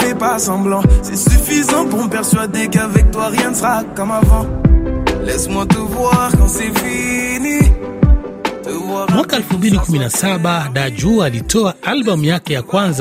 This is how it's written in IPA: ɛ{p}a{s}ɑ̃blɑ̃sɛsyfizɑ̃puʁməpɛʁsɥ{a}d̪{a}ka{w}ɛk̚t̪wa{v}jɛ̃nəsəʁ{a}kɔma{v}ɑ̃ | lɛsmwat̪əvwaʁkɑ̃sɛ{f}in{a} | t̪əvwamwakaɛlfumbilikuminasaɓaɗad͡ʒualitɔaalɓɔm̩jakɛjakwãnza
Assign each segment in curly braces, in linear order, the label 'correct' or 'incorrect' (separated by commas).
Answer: correct, correct, correct, incorrect, incorrect, incorrect, correct, correct, correct, incorrect